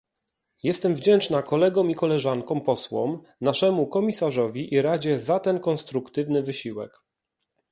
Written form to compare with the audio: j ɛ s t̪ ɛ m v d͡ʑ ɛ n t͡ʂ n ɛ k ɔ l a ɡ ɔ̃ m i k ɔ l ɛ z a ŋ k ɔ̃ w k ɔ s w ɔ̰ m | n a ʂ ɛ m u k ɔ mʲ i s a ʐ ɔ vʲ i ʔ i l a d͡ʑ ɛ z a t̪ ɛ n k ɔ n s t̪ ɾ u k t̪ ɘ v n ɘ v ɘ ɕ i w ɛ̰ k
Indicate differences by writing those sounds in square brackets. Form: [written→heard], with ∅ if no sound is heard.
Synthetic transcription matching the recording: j ɛ s t̪ ɛ m v d͡ʑ ɛ n t͡ʂ n [ɛ→a] k ɔ l [a→ɛ] ɡ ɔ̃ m i k ɔ l ɛ [z→ʐ] a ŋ k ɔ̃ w [k→p] ɔ s w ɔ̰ m | n a ʂ ɛ m u k ɔ mʲ i s a ʐ ɔ vʲ i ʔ i [l→ɾ] a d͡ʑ ɛ z a t̪ ɛ n k ɔ n s t̪ ɾ u k t̪ ɘ v n ɘ v ɘ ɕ i w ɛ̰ k

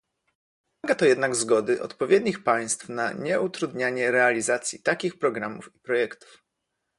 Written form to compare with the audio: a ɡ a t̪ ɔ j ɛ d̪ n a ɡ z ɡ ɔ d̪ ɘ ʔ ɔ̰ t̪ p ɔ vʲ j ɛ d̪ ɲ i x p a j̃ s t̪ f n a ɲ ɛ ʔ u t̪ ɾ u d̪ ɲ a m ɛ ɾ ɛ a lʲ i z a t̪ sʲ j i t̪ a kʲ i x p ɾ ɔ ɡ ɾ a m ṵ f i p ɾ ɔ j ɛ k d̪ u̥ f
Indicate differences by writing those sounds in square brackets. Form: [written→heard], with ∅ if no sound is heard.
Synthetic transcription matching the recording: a ɡ a t̪ ɔ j ɛ d̪ n a ɡ z ɡ ɔ d̪ ɘ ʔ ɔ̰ t̪ p ɔ vʲ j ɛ d̪ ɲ i x p a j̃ s t̪ f n a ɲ ɛ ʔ u t̪ ɾ u d̪ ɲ a [m→ɲ] ɛ ɾ ɛ a lʲ i z a t̪ sʲ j i t̪ a kʲ i x p ɾ ɔ ɡ ɾ a m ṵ f i p ɾ ɔ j ɛ k [d̪→t̪] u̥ f

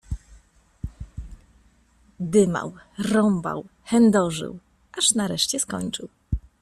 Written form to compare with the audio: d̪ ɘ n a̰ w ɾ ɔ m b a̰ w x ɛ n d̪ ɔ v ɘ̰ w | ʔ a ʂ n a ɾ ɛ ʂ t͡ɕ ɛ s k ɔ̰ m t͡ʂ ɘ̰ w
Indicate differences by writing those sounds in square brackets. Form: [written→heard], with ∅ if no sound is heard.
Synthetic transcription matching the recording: d̪ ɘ [n→m] a̰ w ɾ ɔ m b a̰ w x ɛ n d̪ ɔ [v→ʐ] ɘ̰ w | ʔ a ʂ n a ɾ ɛ ʂ t͡ɕ ɛ s k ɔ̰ [m→ɲ] t͡ʂ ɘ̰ w

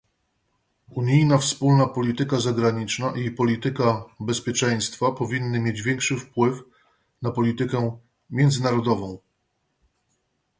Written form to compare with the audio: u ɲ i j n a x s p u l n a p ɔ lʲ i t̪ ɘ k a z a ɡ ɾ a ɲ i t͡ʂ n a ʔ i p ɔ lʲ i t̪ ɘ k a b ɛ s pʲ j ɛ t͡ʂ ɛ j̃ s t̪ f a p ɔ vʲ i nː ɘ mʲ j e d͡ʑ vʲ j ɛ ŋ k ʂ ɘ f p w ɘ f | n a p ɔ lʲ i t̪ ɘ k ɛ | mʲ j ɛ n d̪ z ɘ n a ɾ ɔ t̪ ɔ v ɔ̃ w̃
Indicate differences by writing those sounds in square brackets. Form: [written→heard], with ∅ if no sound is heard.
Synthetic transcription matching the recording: u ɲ i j n a [x→f] s p u l n a p ɔ lʲ i t̪ ɘ k a z a ɡ ɾ a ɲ i t͡ʂ n a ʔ i p ɔ lʲ i t̪ ɘ k a b ɛ s pʲ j ɛ t͡ʂ ɛ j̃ s t̪ f a p ɔ vʲ i nː ɘ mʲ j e d͡ʑ vʲ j ɛ ŋ k ʂ ɘ f p w ɘ f | n a p ɔ lʲ i t̪ ɘ k ɛ | mʲ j ɛ n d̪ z ɘ n a ɾ ɔ [t̪→d̪] ɔ v ɔ̃ w̃

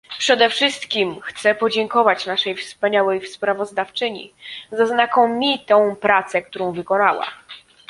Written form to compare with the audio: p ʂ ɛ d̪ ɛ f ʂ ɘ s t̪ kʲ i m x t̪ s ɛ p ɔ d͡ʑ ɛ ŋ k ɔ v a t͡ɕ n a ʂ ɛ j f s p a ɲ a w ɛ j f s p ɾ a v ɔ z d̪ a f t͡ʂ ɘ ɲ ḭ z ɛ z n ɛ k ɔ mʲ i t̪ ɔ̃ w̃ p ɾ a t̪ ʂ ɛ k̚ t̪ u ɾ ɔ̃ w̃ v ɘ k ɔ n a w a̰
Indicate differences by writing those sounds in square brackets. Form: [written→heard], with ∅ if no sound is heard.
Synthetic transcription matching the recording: p ʂ ɛ d̪ ɛ f ʂ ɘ s t̪ kʲ i m x t̪ s ɛ p ɔ d͡ʑ ɛ ŋ k ɔ v a t͡ɕ n a ʂ ɛ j f s p a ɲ a w ɛ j f s p ɾ a v ɔ z d̪ a f t͡ʂ ɘ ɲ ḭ z [ɛ→a] z n [ɛ→a] k ɔ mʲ i t̪ ɔ̃ w̃ p ɾ a t̪ [ʂ→s] ɛ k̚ t̪ u ɾ ɔ̃ w̃ v ɘ k ɔ n a w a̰

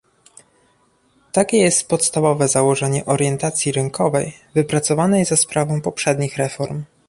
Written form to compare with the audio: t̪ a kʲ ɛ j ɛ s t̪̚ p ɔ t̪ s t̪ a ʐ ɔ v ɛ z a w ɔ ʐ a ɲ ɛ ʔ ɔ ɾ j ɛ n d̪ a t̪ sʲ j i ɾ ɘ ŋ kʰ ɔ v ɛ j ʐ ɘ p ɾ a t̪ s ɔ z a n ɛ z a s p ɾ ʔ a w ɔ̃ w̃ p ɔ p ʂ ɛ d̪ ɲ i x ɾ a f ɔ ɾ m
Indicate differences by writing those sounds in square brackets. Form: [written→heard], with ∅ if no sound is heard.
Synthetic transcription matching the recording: t̪ a kʲ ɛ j ɛ s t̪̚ p ɔ t̪ s t̪ a [ʐ→v] ɔ v ɛ z a w ɔ ʐ [a→ɛ] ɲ ɛ ʔ ɔ ɾ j ɛ n [d̪→t̪] a t̪ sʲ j i ɾ ɘ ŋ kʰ ɔ v ɛ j [ʐ→v] ɘ p ɾ a t̪ s ɔ [z→v] a n ɛ z a s p ɾ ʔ a [w→v] ɔ̃ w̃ p ɔ p ʂ ɛ d̪ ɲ i x ɾ [a→ɛ] f ɔ ɾ m

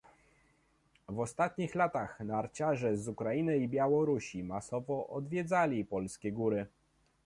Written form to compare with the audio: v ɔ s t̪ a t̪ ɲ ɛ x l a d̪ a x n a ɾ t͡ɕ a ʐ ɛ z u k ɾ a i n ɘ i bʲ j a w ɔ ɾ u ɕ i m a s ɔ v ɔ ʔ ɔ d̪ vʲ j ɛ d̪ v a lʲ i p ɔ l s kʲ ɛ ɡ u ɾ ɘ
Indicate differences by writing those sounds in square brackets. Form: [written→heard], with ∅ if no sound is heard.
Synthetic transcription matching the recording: v ɔ s t̪ a t̪ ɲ [ɛ→i] x l a [d̪→t̪] a x n a ɾ t͡ɕ a ʐ ɛ z u k ɾ a i n ɘ i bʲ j a w ɔ ɾ u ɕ i m a s ɔ v ɔ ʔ ɔ d̪ vʲ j ɛ d̪ [v→z] a lʲ i p ɔ l s kʲ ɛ ɡ u ɾ ɘ

